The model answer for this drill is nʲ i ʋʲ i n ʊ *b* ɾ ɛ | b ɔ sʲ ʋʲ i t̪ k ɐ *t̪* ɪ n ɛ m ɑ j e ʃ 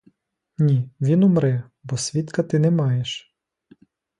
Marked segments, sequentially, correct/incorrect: incorrect, correct

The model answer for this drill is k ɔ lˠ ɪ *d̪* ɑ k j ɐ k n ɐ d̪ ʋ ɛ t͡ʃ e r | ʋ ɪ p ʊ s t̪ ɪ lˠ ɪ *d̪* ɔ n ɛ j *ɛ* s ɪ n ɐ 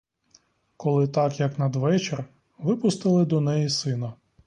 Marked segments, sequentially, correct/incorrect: incorrect, correct, incorrect

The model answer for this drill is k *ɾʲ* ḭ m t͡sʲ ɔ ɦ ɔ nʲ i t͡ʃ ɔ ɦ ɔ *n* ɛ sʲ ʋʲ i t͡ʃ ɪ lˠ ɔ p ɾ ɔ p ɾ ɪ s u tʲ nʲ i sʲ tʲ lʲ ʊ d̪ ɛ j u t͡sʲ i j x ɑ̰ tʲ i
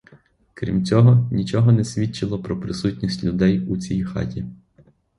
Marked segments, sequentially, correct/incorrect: correct, correct

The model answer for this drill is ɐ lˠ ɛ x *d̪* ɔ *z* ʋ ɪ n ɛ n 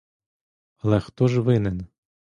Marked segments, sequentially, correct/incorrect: incorrect, incorrect

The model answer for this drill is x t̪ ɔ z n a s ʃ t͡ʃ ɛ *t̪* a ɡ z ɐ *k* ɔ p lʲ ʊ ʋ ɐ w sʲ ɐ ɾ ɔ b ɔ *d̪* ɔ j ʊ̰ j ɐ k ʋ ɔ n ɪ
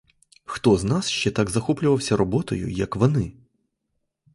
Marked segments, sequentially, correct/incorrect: correct, incorrect, incorrect

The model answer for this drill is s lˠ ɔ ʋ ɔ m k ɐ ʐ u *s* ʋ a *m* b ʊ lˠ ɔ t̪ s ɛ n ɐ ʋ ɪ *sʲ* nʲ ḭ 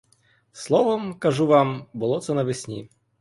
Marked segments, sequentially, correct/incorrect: incorrect, correct, correct

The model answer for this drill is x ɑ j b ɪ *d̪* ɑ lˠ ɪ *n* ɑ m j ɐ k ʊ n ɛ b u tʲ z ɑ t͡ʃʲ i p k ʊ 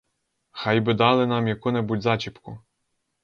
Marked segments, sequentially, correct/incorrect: correct, correct

